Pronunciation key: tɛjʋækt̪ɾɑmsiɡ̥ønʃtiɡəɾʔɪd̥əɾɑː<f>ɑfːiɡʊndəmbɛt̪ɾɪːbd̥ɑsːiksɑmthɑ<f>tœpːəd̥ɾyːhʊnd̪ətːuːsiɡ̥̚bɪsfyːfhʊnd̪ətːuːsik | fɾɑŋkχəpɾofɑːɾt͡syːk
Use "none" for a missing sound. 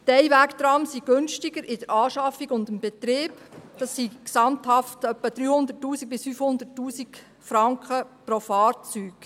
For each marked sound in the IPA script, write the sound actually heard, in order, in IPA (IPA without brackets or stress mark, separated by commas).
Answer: ʃ, f